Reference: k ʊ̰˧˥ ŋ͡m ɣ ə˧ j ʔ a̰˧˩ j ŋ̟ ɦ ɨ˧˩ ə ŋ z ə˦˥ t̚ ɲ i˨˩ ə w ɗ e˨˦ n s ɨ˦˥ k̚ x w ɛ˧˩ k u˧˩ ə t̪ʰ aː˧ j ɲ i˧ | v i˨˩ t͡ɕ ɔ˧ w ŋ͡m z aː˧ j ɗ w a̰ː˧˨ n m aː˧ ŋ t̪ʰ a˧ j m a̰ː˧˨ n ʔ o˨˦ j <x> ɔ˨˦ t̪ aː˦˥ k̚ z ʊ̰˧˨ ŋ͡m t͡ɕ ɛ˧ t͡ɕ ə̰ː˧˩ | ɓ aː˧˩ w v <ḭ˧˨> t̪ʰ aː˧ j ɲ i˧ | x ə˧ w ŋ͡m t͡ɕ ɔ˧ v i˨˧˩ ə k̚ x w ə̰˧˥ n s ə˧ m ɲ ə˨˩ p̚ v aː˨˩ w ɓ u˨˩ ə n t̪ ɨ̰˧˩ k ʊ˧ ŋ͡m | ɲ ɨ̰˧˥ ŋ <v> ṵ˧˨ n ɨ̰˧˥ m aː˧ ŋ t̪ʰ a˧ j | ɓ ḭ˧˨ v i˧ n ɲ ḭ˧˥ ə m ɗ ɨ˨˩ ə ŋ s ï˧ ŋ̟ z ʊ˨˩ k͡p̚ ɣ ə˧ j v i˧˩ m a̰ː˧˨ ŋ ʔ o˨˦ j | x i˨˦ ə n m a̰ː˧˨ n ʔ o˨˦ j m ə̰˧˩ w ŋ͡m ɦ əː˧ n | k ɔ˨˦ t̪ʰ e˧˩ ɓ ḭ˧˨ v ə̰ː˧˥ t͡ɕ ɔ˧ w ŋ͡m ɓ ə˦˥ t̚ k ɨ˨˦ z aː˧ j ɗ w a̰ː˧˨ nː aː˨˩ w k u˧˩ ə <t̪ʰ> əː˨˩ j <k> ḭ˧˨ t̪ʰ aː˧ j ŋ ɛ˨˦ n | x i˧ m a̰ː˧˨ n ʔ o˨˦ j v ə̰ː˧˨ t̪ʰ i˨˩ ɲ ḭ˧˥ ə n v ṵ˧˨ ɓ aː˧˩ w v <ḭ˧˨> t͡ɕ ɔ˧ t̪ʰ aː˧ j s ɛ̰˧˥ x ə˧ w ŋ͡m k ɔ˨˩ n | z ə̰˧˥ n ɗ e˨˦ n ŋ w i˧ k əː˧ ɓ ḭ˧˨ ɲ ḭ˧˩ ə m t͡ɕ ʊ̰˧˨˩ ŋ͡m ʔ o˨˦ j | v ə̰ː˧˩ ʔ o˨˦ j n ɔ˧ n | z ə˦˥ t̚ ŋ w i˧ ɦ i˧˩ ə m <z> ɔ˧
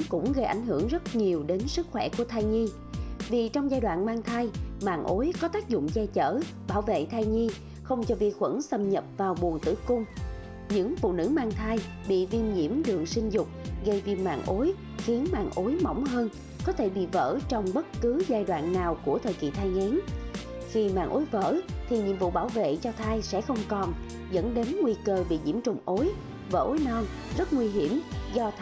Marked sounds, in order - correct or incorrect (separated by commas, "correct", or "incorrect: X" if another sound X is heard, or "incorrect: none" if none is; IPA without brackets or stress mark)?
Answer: incorrect: k, incorrect: ḛ˧˨, incorrect: f, correct, correct, incorrect: ḛ˧˨, correct